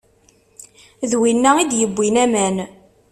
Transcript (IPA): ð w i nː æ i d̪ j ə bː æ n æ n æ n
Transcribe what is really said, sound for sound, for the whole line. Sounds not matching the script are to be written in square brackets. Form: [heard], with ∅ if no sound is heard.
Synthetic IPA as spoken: ð w i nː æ i d̪ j ə bː [i] n æ [m] æ n